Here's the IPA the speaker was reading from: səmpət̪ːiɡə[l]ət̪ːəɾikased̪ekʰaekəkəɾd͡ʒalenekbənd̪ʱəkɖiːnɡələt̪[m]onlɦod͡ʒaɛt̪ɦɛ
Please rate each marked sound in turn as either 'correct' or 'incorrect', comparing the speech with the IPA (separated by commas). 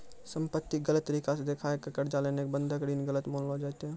correct, correct